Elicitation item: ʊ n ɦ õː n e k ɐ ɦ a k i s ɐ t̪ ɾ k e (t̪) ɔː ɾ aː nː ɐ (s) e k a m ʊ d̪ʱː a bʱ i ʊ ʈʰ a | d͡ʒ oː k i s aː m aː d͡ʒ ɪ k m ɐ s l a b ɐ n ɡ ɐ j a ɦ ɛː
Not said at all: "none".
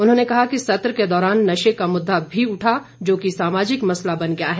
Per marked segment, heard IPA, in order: d̪, ʃ

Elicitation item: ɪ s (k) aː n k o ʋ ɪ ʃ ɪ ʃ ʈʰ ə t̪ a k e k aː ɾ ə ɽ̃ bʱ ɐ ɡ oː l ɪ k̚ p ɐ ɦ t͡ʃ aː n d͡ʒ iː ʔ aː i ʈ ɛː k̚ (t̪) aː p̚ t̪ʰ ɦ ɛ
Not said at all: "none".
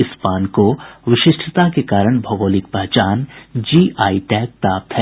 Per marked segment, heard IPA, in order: p, t̪

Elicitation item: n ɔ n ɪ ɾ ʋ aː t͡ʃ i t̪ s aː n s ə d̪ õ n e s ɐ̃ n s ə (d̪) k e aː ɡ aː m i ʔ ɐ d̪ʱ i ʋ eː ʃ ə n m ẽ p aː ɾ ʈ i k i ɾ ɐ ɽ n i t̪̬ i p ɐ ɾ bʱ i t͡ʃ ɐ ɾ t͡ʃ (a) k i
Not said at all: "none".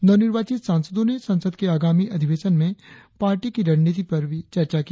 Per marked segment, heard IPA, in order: d̪, a

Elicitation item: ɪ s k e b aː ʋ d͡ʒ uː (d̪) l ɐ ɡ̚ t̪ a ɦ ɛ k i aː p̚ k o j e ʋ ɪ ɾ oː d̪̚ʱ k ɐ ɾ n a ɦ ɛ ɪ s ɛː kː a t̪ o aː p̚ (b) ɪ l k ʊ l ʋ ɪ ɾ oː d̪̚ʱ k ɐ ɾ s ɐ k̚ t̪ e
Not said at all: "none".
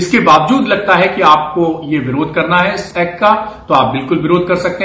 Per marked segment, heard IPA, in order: d̪, b

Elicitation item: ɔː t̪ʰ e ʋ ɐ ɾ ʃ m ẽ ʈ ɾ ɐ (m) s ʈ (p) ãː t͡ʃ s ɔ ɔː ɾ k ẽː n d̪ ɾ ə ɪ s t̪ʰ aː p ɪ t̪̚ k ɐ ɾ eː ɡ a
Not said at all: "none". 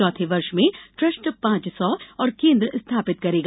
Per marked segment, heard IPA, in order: none, p

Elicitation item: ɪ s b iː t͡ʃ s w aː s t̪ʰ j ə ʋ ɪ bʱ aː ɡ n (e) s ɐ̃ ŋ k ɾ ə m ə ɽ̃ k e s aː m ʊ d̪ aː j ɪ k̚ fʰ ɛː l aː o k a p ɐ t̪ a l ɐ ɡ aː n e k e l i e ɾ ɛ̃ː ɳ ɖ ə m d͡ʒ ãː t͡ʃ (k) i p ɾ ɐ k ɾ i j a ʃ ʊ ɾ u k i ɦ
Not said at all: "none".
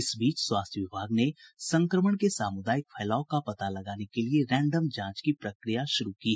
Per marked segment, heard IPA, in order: e, k

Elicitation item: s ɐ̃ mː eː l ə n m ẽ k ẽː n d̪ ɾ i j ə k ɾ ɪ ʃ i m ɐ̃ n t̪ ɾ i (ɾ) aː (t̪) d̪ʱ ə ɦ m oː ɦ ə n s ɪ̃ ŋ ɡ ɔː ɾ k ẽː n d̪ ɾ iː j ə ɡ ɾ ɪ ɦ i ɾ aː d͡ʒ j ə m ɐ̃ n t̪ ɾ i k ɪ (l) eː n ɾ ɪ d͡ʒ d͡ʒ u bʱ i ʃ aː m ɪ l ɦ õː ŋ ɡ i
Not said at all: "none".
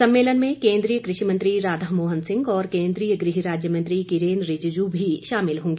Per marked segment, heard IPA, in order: ɾ, none, ɾ

